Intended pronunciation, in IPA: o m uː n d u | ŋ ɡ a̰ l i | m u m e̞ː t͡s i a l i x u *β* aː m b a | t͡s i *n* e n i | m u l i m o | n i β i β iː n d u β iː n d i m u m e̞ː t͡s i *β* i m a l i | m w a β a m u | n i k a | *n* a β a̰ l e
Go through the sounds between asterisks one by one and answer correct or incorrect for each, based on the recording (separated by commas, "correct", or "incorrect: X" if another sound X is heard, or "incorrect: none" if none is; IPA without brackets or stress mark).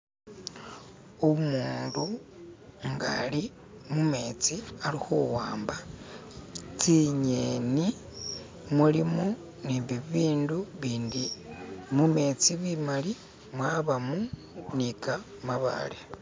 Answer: incorrect: w, incorrect: ɲ, correct, incorrect: m